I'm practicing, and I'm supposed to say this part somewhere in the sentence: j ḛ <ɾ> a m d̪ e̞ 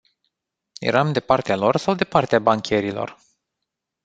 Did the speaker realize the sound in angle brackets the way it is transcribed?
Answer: yes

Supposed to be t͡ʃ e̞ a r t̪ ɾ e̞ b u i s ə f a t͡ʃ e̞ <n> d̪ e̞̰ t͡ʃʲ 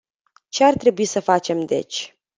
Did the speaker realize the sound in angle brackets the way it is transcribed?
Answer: no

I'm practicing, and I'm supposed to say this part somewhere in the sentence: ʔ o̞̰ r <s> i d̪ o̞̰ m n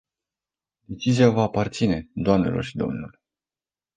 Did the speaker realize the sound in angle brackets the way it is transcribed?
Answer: no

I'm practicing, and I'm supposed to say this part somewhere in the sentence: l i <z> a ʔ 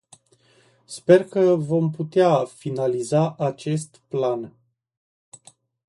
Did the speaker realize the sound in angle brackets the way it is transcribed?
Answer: yes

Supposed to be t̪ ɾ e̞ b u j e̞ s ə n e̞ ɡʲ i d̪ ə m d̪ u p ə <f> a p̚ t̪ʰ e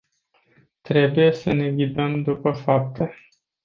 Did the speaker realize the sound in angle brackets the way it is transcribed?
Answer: yes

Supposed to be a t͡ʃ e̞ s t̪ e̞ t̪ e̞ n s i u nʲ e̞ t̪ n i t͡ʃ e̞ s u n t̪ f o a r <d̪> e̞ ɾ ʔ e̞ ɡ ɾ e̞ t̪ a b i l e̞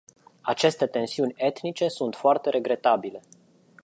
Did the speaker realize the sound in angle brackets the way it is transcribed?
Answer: no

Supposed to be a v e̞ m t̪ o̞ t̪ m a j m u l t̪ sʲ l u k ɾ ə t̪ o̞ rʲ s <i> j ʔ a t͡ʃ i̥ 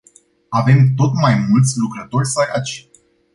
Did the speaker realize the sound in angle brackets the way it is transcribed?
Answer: no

